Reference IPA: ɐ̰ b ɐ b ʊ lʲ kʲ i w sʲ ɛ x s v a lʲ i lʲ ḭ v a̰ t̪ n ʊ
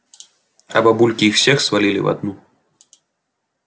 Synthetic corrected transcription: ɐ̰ b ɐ b u lʲ kʲ i w sʲ ɛ x s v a lʲ i lʲ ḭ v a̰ d̪ n u